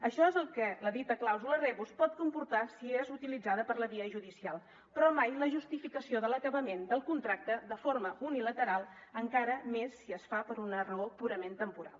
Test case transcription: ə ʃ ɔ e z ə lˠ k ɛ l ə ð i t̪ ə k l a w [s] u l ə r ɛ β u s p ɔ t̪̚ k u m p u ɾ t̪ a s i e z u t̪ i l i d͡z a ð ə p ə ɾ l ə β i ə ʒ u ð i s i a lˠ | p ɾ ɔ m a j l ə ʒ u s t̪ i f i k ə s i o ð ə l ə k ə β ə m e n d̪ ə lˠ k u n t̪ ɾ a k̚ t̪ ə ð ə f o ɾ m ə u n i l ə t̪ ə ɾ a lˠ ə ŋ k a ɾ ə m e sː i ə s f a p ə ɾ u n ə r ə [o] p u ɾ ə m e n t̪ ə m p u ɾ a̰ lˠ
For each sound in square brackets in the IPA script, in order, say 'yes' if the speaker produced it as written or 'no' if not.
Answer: no, yes

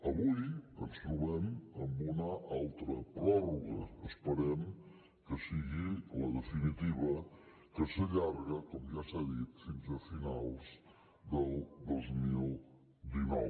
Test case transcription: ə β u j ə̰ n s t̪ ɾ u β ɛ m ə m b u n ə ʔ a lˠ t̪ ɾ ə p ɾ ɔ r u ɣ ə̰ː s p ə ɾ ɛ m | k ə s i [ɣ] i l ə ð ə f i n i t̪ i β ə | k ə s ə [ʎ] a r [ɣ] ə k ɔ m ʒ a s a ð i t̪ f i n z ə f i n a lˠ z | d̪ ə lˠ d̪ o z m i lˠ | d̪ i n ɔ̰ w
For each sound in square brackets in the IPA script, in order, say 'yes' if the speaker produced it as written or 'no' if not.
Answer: yes, yes, yes

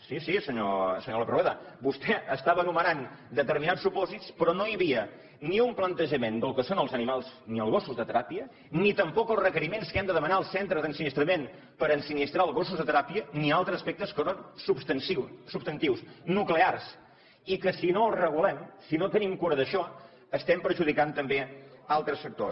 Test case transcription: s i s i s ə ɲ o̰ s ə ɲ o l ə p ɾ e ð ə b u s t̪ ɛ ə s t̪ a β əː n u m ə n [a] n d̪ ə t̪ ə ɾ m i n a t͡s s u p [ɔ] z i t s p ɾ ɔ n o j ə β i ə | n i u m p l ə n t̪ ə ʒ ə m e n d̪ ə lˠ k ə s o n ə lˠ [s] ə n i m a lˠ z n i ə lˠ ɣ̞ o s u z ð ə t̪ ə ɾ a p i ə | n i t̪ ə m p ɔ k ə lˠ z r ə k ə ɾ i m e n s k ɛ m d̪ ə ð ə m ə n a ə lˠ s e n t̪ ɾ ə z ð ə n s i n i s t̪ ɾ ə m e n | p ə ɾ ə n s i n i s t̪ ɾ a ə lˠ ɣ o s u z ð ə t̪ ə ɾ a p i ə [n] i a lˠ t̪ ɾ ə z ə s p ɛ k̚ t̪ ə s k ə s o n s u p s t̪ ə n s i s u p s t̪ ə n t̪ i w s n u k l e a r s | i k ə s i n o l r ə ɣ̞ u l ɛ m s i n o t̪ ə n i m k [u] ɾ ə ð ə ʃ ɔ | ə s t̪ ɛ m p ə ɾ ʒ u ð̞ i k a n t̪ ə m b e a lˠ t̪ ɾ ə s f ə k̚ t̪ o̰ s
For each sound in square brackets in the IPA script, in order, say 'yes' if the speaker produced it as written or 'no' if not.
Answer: yes, yes, no, yes, yes

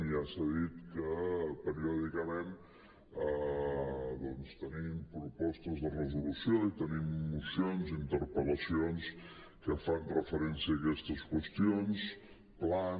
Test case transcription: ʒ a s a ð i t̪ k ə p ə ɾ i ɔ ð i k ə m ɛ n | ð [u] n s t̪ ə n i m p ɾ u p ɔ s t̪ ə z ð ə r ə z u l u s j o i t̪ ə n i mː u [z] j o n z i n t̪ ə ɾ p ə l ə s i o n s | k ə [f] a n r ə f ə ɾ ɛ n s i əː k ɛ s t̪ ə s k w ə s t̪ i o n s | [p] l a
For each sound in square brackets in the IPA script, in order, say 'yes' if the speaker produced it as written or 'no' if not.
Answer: no, no, yes, yes

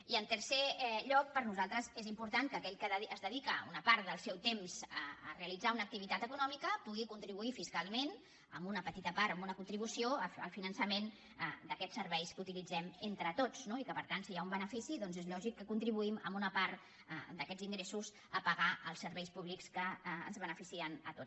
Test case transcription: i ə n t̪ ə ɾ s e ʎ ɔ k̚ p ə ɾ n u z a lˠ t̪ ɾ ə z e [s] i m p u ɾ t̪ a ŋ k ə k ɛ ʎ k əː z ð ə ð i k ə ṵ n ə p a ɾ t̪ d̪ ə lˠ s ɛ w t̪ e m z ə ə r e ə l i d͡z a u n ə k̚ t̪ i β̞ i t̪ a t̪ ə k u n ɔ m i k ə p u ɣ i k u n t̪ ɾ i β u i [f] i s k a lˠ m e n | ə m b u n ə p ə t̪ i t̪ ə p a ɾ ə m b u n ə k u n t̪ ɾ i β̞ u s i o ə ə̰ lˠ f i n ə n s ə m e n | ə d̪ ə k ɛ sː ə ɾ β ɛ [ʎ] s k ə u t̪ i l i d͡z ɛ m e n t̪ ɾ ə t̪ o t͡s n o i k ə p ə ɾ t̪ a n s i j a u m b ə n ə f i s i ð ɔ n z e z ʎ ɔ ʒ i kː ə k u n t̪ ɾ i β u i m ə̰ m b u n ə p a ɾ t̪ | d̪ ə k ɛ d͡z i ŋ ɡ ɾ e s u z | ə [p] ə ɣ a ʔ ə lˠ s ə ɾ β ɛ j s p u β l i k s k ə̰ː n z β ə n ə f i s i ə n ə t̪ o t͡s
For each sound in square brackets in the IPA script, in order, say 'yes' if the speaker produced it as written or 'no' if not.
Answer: no, yes, no, yes

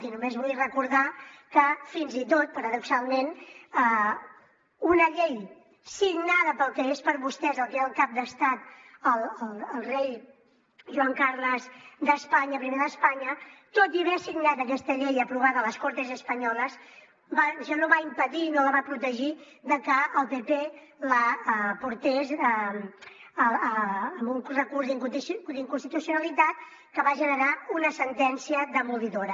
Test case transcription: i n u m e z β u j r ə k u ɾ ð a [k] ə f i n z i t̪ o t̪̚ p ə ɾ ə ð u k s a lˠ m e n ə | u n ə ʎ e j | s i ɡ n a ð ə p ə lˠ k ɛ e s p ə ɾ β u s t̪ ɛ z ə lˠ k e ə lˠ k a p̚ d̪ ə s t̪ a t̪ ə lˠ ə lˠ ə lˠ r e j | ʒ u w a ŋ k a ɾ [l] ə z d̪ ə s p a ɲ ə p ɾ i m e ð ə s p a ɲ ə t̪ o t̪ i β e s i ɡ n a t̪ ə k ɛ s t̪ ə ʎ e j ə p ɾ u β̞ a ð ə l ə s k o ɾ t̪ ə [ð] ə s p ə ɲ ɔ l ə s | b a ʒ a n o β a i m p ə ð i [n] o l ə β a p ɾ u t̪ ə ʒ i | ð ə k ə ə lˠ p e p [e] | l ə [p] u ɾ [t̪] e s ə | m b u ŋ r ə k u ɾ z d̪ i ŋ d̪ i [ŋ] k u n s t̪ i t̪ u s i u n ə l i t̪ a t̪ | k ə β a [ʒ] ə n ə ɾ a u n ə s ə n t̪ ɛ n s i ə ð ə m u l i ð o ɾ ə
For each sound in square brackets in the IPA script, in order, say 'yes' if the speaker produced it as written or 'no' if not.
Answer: yes, yes, no, yes, yes, yes, yes, yes, yes

